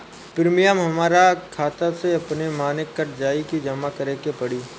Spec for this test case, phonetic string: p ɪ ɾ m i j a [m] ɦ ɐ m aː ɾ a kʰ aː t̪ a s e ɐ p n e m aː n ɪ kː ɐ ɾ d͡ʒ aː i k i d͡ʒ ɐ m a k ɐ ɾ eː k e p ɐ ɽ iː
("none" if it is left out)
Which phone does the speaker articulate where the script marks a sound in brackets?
m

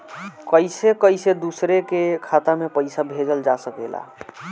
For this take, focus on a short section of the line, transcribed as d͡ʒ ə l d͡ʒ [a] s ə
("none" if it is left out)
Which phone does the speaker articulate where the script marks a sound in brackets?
a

